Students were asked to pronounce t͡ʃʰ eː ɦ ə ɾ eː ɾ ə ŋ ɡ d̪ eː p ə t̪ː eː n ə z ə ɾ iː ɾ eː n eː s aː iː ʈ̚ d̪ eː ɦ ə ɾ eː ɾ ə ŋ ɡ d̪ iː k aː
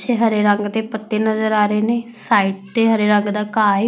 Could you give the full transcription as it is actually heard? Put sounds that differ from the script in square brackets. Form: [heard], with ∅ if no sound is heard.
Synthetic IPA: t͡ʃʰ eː ɦ ə ɾ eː ɾ ə ŋ ɡ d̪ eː p ə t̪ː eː n ə z ə ɾ [aː] ɾ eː n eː s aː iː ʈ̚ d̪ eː ɦ ə ɾ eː ɾ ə ŋ ɡ d̪ [aː] k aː